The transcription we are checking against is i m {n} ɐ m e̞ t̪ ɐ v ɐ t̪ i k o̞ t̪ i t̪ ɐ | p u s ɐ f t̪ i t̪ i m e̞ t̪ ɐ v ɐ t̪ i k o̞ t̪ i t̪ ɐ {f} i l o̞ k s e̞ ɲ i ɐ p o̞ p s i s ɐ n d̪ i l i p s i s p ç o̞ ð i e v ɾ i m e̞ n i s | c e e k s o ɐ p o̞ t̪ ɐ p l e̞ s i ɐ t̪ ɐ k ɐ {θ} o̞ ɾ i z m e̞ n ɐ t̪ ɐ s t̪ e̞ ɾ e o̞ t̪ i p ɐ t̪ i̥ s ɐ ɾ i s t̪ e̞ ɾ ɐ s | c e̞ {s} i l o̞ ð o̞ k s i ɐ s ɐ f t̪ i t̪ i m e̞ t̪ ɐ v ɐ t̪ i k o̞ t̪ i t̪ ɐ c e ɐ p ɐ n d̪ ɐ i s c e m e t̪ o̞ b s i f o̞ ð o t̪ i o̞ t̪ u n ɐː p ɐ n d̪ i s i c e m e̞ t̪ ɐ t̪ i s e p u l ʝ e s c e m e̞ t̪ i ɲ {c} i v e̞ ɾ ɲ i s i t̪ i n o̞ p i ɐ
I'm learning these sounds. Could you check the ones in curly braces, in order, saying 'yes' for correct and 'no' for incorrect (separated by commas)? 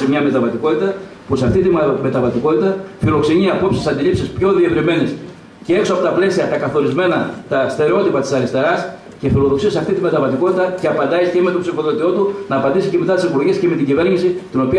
no, yes, yes, no, no